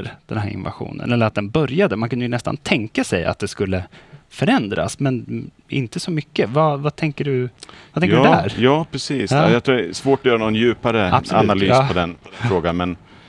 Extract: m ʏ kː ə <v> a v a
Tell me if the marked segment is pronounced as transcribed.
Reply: yes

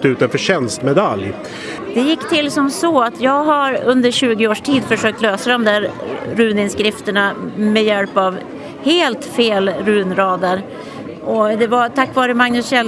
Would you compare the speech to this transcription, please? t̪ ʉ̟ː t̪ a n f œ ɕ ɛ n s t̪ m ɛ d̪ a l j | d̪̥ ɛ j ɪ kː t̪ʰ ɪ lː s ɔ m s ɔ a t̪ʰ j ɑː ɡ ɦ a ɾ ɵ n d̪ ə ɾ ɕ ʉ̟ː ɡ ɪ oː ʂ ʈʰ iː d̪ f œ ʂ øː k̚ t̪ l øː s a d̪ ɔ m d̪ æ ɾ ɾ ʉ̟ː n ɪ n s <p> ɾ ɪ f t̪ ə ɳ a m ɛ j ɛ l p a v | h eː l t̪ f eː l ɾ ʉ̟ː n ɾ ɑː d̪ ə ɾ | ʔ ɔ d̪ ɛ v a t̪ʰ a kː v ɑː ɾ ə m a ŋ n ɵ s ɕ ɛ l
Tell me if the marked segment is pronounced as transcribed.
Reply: no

